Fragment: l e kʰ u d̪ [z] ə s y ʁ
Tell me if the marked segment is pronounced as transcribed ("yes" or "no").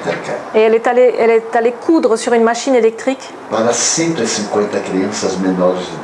no